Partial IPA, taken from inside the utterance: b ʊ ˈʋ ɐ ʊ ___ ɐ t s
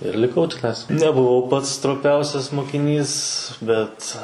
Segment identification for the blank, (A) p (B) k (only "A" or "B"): A